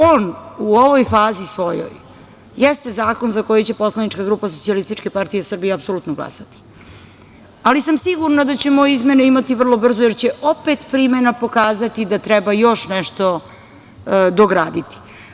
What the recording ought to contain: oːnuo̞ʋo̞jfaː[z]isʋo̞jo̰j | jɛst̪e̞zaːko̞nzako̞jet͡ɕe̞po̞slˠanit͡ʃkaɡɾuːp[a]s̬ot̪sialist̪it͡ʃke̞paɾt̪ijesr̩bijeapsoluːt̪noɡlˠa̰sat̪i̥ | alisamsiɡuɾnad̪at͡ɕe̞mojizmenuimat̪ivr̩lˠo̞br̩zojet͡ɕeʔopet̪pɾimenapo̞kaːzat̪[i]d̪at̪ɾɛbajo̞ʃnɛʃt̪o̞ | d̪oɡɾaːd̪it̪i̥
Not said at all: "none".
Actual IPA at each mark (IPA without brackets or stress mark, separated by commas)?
z, a, i